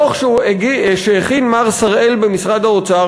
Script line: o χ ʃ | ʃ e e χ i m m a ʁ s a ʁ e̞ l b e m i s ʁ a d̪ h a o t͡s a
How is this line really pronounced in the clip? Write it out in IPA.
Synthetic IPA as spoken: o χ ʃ | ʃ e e χ i n m a ʁ s a ʁ e̞ l b e m i s ʁ a d̪ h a o t͡s a